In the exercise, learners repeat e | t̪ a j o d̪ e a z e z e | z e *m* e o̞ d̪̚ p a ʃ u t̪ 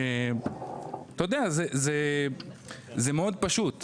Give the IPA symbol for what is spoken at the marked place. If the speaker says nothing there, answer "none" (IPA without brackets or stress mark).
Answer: m